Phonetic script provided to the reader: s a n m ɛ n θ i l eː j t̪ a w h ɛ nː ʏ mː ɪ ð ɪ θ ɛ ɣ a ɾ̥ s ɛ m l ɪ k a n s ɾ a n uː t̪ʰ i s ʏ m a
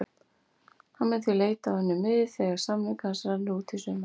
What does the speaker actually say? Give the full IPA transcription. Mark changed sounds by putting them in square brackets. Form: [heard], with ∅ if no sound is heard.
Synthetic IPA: [h] a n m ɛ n θ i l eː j t̪ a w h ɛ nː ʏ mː ɪ ð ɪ θ ɛ ɣ a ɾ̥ s [a] m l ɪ k a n s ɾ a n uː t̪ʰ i s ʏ m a